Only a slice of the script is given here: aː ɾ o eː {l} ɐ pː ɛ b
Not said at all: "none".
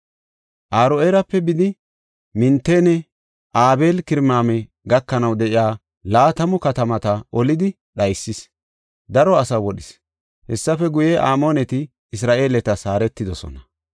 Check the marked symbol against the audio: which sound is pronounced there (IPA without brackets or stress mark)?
ɾ